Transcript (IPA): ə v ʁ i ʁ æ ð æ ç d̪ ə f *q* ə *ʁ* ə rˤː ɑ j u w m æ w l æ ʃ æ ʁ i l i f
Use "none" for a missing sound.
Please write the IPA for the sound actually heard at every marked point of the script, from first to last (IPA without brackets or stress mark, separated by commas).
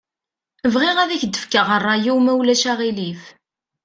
k, ʁ